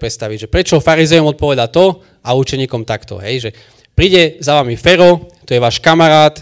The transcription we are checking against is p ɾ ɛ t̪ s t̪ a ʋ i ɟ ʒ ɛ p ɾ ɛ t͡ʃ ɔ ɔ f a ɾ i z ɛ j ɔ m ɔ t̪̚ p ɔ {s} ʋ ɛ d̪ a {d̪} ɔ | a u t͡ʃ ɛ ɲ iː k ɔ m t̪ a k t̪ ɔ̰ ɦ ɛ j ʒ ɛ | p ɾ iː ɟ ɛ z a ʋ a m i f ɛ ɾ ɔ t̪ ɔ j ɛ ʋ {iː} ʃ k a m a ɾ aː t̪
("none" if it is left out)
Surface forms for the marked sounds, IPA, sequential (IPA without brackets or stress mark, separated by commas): none, t̪, aː